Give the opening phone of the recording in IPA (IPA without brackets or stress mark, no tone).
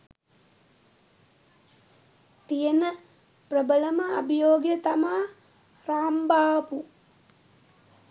t̪